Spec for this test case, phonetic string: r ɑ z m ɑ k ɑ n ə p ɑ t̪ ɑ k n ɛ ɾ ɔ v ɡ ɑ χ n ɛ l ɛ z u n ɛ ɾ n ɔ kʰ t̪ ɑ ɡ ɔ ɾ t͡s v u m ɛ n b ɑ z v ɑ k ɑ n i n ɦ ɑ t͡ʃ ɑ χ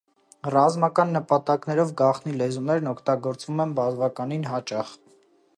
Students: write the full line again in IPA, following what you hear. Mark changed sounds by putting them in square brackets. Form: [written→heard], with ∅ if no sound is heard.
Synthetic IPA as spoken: r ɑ z m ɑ k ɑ [n→nː] ə p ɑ t̪ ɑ k n ɛ ɾ ɔ v ɡ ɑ χ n [ɛ→i] l ɛ z u n ɛ ɾ n ɔ kʰ t̪ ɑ ɡ ɔ ɾ t͡s v u m ɛ n b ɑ z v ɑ k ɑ n i n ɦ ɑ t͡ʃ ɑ χ